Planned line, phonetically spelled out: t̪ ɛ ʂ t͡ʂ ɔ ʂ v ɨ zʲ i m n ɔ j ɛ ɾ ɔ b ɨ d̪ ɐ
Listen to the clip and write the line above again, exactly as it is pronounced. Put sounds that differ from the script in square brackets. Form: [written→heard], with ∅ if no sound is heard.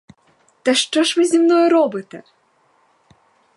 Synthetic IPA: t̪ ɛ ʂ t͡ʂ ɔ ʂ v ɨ zʲ i m n ɔ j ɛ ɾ ɔ b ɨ [d̪→t̪] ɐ